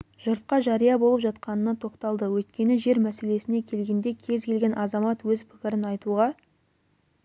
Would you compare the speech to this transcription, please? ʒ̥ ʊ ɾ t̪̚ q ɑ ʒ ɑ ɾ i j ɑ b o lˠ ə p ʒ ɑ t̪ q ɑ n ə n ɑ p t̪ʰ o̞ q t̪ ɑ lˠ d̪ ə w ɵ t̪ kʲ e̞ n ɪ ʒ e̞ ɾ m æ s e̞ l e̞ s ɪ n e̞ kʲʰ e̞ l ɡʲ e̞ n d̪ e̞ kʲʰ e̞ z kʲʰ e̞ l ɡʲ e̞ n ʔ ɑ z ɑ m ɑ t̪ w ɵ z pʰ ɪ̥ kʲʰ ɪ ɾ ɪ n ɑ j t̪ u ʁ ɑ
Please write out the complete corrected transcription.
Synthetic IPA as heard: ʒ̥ ʊ ɾ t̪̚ q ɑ ʒ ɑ ɾ i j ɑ b o lˠ ə p ʒ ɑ t̪ q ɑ n ə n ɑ t̪ʰ o̞ q t̪ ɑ lˠ d̪ ə w ɵ t̪ kʲ e̞ n ɪ ʒ e̞ ɾ m æ s e̞ l e̞ s ɪ n e̞ kʲʰ e̞ l ɡʲ e̞ n d̪ e̞ kʲʰ e̞ z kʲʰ e̞ l ɡʲ e̞ n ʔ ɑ z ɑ m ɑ t̪ w ɵ z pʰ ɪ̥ kʲ ɪ ɾ ɪ n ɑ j t̪ u ʁ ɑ

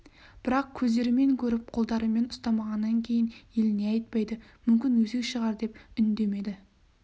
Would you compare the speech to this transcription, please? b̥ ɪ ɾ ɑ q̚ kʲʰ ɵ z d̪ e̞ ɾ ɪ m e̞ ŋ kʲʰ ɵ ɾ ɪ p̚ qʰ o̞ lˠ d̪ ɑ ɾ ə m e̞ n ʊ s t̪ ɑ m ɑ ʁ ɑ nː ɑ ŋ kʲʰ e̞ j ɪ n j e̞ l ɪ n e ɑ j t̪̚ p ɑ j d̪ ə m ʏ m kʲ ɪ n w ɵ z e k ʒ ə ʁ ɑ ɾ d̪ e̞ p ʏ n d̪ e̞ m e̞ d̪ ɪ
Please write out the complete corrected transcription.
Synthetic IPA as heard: b̥ ɪ ɾ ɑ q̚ kʲʰ ɵ z d̪ e̞ ɾ ɪ m e̞ ŋ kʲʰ ɵ ɾ ɪ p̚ qʰ o̞ lˠ d̪ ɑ ɾ ə m e̞ n ʊ s t̪ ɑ m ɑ ʁ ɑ nː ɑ ŋ kʲʰ e̞ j ɪ n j e̞ l ɪ n e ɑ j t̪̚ p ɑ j d̪ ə m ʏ m kʲ ɪ n w ɵ z e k ʃ ə ʁ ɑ ɾ d̪ e̞ p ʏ n d̪ e̞ m e̞ d̪ ɪ

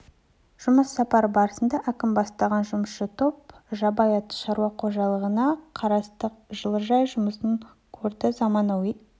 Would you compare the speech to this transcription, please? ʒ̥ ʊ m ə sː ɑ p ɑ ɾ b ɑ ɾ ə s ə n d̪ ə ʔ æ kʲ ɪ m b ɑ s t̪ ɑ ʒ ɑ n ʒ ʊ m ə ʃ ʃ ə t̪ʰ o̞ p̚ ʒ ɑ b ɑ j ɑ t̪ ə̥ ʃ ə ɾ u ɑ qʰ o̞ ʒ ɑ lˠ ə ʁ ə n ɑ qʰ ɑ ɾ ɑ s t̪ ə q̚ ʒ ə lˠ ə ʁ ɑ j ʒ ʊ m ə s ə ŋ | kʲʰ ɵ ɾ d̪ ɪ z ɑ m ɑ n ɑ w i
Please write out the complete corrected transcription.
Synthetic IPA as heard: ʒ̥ ʊ m ə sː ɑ p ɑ ɾ b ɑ ɾ ə s ə n d̪ ɑ ʔ æ kʲ ɪ m b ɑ s t̪ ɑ ʁ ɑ n ʒ ʊ m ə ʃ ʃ ə t̪ʰ o̞ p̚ ʒ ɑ b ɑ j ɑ t̪ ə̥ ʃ ɑ ɾ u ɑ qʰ o̞ ʒ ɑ lˠ ə ʁ ə n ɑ qʰ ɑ ɾ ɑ s t̪ ə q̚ ʒ ə lˠ ə ʒ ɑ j ʒ ʊ m ə s ə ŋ | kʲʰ ɵ ɾ d̪ ɪ z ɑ m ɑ n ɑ w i

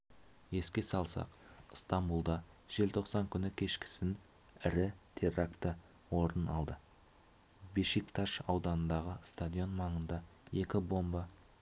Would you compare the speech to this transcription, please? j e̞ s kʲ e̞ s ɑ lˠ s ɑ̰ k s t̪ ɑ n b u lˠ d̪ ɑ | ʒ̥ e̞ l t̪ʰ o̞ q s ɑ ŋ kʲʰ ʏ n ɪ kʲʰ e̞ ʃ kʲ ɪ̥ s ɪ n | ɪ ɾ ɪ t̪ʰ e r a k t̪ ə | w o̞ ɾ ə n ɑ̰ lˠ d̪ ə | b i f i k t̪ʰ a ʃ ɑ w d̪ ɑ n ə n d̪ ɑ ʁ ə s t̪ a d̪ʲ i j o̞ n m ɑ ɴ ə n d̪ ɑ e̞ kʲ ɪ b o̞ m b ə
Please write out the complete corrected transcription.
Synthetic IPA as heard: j e̞ s kʲ e̞ s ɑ lˠ s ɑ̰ q s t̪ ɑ m b u lˠ d̪ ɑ | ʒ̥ e̞ l t̪ʰ o̞ q s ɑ ŋ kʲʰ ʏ n ɪ kʲʰ e̞ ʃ kʲ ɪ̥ s ɪ n | ɪ ɾ ɪ t̪ʰ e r a k t̪ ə | w o̞ ɾ ə n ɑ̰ lˠ d̪ ə | b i ʃ i k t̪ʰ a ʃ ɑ w d̪ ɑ n ə n d̪ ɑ ʁ ə s t̪ a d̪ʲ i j o̞ n m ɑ ɴ ə n d̪ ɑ e̞ kʲ ɪ b o̞ m b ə

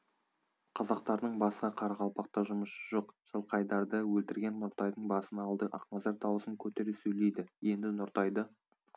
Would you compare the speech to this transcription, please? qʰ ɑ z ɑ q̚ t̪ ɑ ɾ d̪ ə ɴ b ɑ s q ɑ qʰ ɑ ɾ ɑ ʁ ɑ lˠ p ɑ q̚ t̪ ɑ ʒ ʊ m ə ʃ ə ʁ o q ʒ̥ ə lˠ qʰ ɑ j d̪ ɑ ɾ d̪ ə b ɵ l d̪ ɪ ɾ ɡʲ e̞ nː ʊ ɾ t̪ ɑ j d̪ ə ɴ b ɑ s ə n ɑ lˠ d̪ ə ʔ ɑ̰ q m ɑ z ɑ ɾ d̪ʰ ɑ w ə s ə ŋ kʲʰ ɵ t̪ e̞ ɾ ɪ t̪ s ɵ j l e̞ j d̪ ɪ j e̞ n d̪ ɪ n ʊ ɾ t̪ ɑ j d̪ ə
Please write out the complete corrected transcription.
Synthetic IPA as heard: qʰ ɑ z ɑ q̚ t̪ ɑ ɾ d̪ ə ɴ b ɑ s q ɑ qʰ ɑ ɾ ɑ ʁ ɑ lˠ p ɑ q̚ t̪ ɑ ʒ ʊ m ə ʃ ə ʒ o q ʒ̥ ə lˠ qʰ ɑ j d̪ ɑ ɾ d̪ ə w ɵ l t̪ ɪ ɾ ɡʲ e̞ nː ʊ ɾ t̪ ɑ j d̪ ə ɴ b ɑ s ə n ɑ lˠ d̪ ə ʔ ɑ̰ q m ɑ z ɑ ɾ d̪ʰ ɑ w ə s ə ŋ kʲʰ ɵ t̪ e̞ ɾ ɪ s ɵ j l e̞ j d̪ ɪ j e̞ n d̪ ɪ n ʊ ɾ t̪ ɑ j d̪ ə

